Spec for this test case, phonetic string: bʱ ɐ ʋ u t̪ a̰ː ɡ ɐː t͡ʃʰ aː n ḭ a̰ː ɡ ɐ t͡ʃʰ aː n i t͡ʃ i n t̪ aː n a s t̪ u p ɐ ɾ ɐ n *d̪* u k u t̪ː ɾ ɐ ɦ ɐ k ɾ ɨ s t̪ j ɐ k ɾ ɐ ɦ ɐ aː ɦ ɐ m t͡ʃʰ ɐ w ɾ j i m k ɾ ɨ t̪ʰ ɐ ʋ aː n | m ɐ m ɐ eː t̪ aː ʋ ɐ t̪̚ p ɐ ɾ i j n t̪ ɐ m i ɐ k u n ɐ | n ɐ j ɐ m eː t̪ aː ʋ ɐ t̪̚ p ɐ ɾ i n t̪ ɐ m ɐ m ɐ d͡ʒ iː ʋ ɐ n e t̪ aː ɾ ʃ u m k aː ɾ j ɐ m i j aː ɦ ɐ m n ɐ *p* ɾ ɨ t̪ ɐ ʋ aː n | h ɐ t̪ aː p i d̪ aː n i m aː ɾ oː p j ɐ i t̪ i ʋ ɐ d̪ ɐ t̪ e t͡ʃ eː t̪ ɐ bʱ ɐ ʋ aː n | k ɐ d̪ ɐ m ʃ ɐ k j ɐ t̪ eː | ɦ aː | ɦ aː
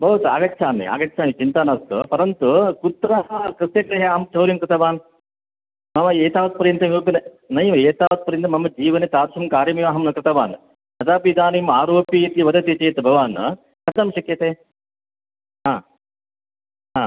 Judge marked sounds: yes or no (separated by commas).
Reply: no, no